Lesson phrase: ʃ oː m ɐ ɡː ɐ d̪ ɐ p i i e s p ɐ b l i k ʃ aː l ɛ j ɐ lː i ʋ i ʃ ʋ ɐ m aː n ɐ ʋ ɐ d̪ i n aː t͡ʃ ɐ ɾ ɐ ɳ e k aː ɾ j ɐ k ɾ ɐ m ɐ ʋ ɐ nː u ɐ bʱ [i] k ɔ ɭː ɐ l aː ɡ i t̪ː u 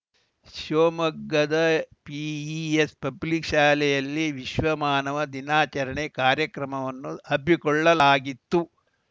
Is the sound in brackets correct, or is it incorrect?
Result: correct